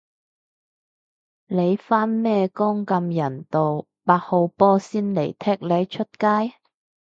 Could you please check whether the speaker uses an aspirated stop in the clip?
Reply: yes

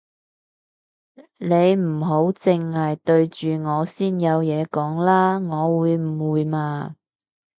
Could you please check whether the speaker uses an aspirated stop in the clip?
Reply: no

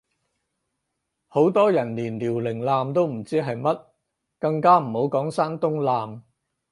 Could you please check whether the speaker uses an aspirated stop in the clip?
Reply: no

